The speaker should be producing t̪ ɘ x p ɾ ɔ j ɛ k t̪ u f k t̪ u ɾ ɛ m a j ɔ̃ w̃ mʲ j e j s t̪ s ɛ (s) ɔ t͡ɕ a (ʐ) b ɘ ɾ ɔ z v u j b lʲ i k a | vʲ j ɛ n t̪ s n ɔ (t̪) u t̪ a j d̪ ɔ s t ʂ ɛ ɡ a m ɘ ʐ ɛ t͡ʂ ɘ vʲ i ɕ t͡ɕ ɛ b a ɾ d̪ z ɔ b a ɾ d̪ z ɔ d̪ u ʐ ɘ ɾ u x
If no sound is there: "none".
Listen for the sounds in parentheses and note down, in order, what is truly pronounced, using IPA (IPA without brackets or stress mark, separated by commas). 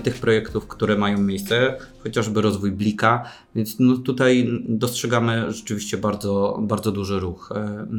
x, ʐ, t̪